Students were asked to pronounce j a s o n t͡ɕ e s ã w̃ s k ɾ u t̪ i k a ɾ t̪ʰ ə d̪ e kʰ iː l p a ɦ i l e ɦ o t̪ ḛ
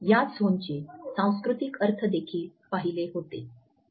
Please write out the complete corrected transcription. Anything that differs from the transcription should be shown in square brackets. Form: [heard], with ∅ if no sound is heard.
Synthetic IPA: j a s o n t͡ɕ e s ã w̃ s k ɾ u t̪ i k [ə] ɾ t̪ʰ ə d̪ e kʰ iː l p a ɦ i l e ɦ o t̪ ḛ